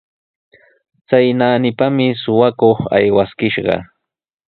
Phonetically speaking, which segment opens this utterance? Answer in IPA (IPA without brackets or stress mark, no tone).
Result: t͡s